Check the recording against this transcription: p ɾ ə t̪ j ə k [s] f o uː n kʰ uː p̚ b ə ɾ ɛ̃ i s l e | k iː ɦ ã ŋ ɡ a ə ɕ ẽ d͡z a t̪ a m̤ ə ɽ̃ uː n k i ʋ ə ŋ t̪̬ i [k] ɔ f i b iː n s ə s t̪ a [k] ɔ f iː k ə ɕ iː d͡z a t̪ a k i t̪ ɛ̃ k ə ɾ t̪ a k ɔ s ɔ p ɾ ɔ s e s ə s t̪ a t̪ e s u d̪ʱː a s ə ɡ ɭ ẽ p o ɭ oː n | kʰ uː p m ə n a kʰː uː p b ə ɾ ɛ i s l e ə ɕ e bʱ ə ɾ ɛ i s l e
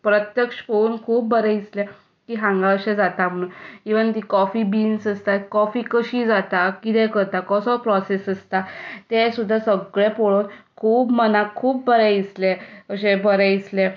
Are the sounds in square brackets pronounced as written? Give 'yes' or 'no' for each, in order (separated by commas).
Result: no, yes, yes